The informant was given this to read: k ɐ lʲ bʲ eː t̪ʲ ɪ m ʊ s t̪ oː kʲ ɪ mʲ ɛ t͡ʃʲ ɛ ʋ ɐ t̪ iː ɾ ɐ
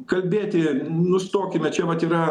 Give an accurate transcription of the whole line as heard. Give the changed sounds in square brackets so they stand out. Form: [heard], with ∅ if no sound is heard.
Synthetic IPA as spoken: k ɐ lʲ bʲ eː t̪ʲ ɪ [n] ʊ s t̪ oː kʲ ɪ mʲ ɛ t͡ʃʲ ɛ ʋ ɐ t̪ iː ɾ ɐ